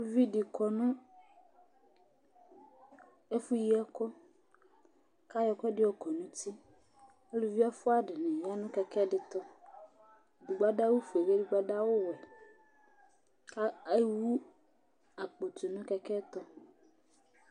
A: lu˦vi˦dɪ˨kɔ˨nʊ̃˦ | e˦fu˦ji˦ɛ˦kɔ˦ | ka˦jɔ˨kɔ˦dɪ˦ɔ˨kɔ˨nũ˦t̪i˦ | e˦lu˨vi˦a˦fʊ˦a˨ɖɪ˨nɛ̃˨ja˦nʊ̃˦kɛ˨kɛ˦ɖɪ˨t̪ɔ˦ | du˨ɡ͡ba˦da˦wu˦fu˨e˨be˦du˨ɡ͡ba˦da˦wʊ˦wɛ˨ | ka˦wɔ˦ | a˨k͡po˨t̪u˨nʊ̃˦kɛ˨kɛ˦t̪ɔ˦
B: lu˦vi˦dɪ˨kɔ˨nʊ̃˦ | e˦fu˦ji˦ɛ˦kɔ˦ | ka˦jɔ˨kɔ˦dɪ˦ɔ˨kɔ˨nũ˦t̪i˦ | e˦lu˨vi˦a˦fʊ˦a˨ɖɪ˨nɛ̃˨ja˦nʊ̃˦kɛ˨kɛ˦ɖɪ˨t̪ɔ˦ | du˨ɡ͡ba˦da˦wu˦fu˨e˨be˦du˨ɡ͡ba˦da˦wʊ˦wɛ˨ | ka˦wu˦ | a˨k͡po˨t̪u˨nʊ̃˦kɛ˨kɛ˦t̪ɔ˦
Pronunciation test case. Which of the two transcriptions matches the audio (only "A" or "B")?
B